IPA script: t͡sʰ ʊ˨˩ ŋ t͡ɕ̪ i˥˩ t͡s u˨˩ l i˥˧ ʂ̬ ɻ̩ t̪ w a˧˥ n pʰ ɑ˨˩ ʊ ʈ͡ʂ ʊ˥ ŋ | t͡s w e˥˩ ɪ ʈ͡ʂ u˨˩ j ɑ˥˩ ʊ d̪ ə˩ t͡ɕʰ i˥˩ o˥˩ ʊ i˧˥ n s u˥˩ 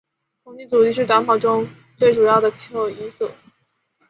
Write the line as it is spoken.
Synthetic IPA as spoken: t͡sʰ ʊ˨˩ ŋ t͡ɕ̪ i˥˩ t͡s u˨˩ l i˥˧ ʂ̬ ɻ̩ t̪ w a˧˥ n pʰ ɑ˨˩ ʊ ʈ͡ʂ ʊ˥ ŋ | t͡s w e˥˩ ɪ ʈ͡ʂ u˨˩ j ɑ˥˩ ʊ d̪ ə˩ t͡ɕʰ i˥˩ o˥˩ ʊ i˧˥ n s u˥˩